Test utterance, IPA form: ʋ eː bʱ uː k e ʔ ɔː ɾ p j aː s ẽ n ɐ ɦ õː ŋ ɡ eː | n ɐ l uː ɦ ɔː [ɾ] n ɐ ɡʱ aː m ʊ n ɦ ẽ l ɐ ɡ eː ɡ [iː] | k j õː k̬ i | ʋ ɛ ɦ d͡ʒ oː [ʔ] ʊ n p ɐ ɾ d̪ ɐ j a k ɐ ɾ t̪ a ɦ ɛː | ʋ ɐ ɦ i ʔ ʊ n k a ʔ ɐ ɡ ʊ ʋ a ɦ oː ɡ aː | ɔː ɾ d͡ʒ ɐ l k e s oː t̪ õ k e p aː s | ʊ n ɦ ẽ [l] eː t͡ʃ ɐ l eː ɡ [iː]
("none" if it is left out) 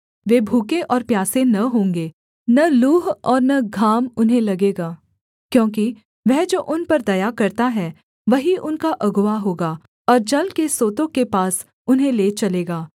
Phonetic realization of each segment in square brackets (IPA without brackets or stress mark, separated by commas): ɾ, aː, ʔ, l, aː